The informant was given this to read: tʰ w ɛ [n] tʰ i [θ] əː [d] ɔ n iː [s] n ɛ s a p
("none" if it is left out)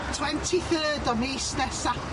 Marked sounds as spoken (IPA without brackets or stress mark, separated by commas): n, θ, d, s